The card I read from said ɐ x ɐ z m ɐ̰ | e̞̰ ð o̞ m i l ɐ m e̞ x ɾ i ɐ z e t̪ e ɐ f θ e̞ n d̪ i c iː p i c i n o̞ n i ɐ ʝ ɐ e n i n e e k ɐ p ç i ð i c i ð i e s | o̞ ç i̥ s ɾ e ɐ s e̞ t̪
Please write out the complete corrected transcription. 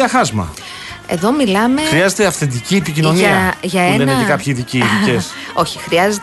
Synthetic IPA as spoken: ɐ x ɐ z m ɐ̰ | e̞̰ ð o̞ m i l ɐ m e̞ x ɾ i ɐ z e t̪ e ɐ f θ e̞ n d̪ i c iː p i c i n o̞ n i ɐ ʝ ɐ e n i n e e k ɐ p ç i ð i c i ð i e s | o̞ ç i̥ x ɾ i ɐ z e̞ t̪